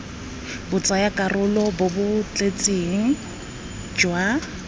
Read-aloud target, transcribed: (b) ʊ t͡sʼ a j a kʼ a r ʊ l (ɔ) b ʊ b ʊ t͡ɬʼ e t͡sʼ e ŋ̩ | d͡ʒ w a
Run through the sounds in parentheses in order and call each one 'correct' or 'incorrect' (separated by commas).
correct, correct